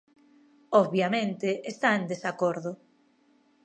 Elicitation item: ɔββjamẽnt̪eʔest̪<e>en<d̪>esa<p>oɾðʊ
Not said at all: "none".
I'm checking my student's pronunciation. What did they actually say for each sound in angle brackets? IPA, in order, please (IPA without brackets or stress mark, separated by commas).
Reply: a, d̪, k